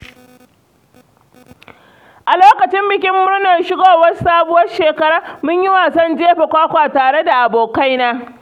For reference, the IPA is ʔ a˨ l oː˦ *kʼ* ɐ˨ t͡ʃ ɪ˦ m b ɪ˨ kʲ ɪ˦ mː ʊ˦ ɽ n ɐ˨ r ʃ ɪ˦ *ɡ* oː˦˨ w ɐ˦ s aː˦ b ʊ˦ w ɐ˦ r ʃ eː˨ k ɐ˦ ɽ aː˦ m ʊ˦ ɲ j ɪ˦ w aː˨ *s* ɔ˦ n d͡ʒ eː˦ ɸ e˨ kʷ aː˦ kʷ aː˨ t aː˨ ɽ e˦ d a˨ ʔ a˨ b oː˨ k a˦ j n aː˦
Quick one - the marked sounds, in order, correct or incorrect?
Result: incorrect, correct, correct

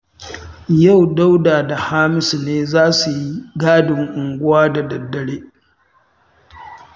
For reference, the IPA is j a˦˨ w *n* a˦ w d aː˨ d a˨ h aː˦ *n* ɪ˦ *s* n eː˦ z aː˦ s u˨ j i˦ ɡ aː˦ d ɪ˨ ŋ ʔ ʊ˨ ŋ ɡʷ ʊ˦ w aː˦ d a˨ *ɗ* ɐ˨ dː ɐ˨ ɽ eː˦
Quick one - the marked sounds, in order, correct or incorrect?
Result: incorrect, incorrect, correct, incorrect

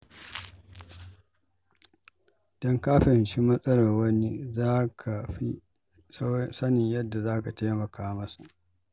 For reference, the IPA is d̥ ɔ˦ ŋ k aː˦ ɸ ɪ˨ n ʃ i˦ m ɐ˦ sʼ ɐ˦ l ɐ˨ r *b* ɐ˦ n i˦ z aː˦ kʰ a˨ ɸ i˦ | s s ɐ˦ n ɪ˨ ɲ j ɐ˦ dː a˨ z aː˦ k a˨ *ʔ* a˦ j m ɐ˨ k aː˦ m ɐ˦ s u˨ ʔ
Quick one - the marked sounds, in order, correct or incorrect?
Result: incorrect, incorrect

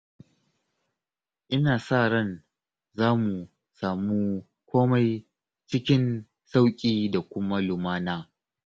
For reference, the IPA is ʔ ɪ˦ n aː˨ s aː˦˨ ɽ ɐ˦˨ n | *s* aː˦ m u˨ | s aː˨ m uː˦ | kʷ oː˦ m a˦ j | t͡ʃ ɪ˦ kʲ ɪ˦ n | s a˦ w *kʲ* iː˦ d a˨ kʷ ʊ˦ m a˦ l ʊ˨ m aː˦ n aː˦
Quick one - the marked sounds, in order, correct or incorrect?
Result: incorrect, incorrect

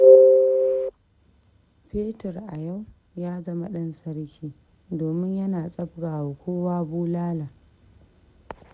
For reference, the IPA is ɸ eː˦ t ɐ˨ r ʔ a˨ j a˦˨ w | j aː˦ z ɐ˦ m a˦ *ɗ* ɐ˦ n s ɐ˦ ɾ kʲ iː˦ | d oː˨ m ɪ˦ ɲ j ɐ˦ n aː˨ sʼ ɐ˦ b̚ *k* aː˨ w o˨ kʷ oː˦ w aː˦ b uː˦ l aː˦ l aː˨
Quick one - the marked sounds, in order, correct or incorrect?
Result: correct, incorrect

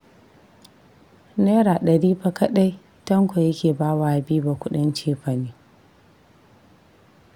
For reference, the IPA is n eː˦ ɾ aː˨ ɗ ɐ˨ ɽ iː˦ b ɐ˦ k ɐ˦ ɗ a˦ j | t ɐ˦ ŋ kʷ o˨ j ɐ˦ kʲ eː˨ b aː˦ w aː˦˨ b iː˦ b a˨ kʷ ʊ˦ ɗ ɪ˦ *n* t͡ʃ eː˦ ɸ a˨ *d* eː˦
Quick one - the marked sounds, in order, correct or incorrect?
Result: correct, incorrect

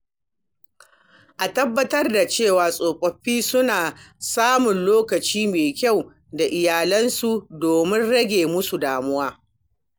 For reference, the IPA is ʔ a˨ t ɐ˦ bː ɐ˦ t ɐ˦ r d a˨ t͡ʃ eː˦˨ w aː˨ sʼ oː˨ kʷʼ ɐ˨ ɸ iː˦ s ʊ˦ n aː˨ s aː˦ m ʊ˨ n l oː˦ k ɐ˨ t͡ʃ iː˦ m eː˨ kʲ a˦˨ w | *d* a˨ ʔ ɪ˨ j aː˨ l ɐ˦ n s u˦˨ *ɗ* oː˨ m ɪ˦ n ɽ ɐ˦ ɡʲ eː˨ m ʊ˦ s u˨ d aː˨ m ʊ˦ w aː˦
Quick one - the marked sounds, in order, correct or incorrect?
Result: correct, incorrect

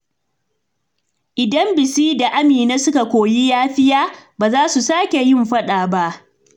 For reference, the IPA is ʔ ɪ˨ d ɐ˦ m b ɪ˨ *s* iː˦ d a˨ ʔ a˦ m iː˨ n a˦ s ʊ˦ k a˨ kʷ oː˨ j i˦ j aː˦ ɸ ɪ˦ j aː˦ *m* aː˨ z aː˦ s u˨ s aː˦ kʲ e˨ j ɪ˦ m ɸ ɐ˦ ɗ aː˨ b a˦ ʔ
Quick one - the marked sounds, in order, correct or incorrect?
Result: correct, incorrect

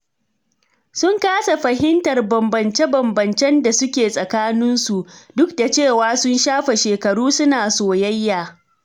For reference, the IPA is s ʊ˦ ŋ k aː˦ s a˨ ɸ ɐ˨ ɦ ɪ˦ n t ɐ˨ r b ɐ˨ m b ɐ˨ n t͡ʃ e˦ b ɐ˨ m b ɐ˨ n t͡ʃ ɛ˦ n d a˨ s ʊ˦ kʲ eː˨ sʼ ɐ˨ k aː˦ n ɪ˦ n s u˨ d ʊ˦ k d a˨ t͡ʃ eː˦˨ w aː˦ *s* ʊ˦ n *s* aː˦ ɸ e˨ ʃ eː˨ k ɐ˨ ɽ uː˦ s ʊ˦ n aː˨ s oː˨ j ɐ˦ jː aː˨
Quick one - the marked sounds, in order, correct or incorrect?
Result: correct, incorrect

